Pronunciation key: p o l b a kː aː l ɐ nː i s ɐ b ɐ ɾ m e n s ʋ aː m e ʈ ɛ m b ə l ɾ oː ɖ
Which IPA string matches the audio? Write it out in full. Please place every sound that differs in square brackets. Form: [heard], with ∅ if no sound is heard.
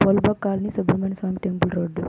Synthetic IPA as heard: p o l b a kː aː l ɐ [n] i s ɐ b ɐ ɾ m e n s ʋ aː m [i] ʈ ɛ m b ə l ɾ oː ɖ